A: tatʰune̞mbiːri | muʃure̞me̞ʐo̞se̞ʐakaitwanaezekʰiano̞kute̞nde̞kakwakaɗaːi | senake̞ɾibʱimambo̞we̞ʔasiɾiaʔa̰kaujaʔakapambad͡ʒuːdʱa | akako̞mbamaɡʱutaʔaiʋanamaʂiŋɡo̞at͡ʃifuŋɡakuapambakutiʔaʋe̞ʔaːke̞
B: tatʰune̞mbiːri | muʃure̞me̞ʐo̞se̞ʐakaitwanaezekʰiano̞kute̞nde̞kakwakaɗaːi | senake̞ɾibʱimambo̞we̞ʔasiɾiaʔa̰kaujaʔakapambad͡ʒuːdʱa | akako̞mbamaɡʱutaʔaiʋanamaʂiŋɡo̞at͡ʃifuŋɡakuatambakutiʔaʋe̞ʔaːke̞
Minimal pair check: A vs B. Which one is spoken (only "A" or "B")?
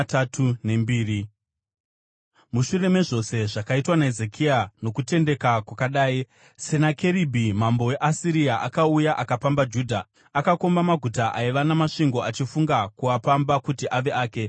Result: A